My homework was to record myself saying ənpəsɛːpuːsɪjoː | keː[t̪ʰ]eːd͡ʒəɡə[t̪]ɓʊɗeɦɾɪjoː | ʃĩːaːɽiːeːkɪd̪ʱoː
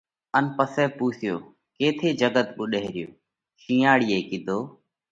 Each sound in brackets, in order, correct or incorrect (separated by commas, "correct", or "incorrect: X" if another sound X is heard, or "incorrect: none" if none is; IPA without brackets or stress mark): correct, correct